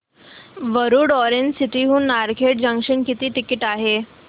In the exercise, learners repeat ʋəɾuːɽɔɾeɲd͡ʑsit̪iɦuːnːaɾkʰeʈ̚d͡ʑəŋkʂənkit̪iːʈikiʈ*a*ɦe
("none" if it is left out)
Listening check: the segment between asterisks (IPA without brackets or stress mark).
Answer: a